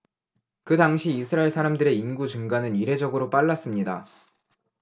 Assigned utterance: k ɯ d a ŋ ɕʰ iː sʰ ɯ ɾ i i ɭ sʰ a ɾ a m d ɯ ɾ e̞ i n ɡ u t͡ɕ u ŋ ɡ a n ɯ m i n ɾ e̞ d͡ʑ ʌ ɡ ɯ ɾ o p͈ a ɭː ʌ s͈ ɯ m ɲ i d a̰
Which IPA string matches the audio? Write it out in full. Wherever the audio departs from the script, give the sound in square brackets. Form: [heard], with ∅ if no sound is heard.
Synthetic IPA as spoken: k ɯ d a ŋ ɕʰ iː sʰ ɯ ɾ [a] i ɭ sʰ a ɾ a m d ɯ ɾ e̞ i n ɡ u t͡ɕ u ŋ ɡ a n ɯ [n] i [∅] ɾ e̞ d͡ʑ ʌ ɡ ɯ ɾ o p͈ a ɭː [a] s͈ ɯ m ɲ i d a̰